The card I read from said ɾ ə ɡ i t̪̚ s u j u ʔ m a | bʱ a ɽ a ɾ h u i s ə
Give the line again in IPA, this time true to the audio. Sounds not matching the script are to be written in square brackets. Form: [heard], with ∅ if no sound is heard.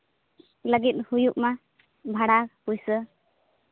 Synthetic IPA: [l] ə ɡ i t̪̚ [h] u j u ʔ m a | bʱ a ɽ a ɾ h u [j] s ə